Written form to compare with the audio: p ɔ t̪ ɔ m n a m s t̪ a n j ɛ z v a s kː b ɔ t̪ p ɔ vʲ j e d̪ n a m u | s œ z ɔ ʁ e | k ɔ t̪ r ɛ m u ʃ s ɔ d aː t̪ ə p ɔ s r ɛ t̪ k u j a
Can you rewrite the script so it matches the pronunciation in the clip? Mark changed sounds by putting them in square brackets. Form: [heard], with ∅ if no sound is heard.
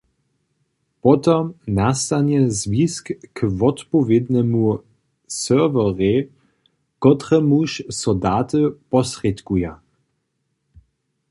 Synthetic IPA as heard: p ɔ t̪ ɔ m n a [∅] s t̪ a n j ɛ z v [i] s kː [v] ɔ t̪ p ɔ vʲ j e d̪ n [ɛ] m u | s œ [v] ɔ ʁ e | k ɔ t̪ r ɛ m u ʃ s ɔ d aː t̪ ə p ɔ s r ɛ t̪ k u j a